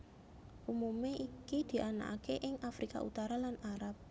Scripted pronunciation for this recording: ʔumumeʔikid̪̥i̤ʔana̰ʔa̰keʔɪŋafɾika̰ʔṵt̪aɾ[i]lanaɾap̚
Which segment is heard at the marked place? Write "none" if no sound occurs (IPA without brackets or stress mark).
a